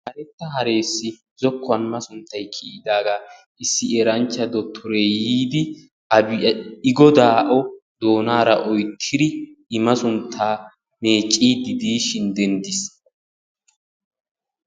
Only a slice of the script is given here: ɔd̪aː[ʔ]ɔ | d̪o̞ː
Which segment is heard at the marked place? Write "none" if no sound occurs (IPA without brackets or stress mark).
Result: ʔ